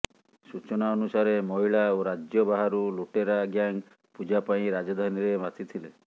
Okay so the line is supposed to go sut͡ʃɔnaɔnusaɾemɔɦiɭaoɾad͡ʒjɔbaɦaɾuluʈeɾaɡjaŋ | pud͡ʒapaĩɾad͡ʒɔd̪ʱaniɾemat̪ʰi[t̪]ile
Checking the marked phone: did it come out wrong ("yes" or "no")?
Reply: yes